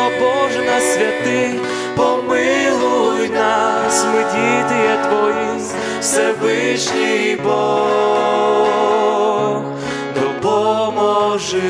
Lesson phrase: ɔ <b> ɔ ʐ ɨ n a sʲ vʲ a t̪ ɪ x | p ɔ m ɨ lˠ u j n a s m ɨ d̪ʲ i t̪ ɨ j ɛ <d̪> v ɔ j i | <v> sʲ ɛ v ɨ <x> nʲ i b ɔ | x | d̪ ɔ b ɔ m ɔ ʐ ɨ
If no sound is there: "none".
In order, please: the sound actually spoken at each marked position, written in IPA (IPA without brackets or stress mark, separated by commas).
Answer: b, t̪, f, ʂ